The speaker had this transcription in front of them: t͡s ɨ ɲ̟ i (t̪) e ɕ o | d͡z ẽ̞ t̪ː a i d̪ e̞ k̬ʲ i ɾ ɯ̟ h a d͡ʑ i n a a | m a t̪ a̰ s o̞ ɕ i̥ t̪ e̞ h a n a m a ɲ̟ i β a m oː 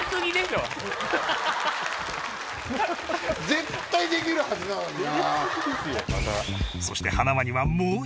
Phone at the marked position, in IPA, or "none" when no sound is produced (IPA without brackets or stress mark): d̪